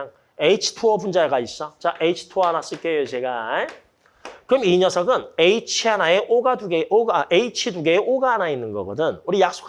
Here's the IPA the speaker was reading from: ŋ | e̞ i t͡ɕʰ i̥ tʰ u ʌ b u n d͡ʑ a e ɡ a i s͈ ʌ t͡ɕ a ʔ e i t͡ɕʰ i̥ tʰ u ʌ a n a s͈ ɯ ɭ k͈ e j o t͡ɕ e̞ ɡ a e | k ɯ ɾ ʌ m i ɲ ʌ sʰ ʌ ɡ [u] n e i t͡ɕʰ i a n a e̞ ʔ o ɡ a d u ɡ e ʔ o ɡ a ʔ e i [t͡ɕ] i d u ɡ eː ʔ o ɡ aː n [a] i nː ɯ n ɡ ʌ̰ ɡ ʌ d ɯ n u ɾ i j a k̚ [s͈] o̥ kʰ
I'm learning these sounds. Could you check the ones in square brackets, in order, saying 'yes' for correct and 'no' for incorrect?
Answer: no, no, yes, yes

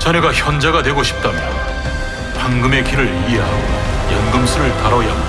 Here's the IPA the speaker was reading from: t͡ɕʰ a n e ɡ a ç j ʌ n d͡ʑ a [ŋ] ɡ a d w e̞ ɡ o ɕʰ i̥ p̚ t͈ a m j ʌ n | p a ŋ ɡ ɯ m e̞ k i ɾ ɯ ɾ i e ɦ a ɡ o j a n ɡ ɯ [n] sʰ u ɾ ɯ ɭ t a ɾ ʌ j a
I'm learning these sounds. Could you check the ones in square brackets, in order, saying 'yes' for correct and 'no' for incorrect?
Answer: no, no

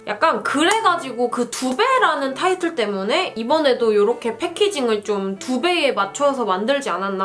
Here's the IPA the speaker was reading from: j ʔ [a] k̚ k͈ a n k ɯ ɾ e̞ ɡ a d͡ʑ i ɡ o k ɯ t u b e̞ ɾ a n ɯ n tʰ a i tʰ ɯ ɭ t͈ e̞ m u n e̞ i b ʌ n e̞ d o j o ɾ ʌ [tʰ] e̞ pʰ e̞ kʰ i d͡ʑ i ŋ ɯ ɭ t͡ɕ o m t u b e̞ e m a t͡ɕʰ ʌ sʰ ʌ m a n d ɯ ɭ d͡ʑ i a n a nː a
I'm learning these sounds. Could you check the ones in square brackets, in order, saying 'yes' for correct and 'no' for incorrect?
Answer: yes, no

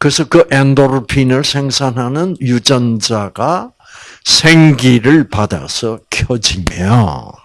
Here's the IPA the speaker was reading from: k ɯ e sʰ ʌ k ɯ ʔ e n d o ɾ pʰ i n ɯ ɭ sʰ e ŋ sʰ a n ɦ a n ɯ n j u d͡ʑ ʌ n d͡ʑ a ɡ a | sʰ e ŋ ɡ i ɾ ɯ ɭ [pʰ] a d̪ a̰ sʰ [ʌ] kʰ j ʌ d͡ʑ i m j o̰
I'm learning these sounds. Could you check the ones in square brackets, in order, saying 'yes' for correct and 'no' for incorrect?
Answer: no, yes

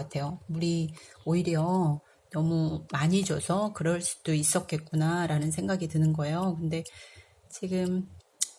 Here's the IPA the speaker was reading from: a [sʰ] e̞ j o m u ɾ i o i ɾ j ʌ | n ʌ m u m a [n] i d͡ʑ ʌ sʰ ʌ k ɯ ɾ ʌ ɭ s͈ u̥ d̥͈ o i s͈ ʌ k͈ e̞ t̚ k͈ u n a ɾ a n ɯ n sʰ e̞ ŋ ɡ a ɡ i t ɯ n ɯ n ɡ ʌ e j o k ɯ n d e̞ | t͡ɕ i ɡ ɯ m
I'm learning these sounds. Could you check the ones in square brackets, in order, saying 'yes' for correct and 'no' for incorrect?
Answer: no, no

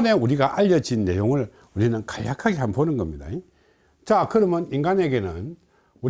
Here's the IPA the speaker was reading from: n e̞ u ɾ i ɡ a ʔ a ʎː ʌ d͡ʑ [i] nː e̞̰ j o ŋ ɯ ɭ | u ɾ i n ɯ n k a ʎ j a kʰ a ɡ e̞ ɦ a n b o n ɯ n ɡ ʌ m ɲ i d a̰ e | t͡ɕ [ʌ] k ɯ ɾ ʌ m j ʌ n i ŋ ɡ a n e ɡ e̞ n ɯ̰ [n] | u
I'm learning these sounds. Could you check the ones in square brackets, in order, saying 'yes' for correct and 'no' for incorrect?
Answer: yes, no, yes

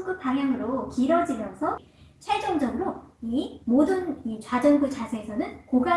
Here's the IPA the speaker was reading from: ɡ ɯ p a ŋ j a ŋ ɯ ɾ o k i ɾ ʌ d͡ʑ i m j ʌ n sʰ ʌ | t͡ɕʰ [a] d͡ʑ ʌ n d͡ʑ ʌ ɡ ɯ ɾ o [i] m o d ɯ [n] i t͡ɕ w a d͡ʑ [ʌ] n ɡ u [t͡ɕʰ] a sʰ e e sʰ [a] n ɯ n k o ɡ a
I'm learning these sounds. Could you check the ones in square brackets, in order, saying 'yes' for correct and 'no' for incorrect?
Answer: no, yes, yes, yes, no, no

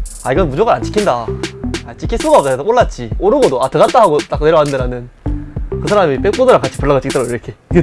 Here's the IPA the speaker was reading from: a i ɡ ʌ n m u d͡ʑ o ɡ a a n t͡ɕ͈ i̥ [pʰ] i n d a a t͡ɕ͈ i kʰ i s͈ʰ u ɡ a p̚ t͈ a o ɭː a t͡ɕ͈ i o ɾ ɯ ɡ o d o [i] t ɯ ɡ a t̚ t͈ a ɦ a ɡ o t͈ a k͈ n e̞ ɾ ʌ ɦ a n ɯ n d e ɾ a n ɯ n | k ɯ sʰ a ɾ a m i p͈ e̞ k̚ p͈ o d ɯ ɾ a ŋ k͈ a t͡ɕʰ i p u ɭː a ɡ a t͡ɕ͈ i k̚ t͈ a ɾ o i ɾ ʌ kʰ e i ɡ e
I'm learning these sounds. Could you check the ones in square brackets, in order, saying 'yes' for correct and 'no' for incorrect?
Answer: no, no

